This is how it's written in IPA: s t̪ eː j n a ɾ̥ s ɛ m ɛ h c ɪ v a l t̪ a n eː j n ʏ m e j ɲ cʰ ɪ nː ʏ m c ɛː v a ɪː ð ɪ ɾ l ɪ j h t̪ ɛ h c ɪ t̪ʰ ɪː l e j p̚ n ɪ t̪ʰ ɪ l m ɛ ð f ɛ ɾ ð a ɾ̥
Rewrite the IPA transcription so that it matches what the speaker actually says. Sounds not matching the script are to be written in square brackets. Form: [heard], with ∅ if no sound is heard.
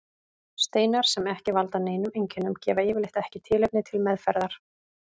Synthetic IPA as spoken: s t̪ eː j n a ɾ̥ s ɛ m ɛ h c ɪ v a l t̪ a n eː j n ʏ m e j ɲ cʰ ɪ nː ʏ m c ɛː v a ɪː [v] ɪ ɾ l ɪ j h t̪ ɛ h c ɪ t̪ʰ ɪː l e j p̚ n ɪ t̪ʰ ɪ l m ɛ ð f ɛ ɾ ð a ɾ̥